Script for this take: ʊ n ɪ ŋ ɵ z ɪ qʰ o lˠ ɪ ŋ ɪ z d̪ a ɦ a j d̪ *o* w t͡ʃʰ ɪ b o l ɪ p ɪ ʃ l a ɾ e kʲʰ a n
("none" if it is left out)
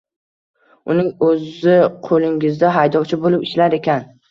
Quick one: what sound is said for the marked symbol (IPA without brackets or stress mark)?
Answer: ɒ